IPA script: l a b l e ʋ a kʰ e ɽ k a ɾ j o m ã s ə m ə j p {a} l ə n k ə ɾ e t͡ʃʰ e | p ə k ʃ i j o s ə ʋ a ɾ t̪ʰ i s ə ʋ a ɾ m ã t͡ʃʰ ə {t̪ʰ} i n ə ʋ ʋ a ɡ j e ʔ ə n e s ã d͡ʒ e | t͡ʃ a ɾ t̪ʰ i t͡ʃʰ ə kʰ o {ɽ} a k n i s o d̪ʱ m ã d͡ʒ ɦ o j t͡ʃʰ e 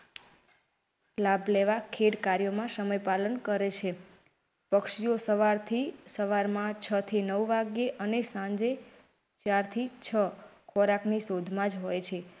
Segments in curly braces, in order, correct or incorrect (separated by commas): correct, correct, incorrect